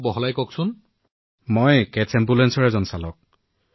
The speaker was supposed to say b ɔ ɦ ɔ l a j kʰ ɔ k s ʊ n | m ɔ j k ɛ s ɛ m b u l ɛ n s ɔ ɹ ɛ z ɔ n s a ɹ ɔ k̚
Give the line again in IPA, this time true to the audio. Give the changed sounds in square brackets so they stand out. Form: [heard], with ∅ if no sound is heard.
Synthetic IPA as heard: b ɔ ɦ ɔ l a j [k] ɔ k s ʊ n | m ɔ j k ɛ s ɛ m b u l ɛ n s ɔ ɹ ɛ z ɔ n s a [l] ɔ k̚